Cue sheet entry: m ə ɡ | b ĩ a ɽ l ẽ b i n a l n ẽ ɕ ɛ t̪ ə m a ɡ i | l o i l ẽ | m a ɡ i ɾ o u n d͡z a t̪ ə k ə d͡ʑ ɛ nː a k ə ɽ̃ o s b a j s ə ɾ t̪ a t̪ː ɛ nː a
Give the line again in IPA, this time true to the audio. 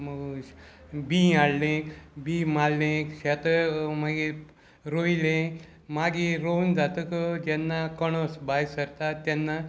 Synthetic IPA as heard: m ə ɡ | b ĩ a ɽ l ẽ b i m a l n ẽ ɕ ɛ t̪ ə m a ɡ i | ɾ o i l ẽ | m a ɡ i ɾ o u n d͡z a t̪ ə k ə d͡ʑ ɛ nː a k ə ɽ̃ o s b a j s ə ɾ t̪ a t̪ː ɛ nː a